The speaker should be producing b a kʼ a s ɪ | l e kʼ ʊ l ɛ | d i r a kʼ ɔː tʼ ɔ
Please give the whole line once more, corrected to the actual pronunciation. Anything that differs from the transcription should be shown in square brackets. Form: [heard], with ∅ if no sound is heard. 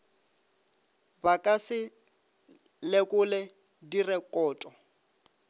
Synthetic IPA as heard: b a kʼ a s ɪ | l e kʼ ʊ l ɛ | d i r [ɛ] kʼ ɔː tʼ ɔ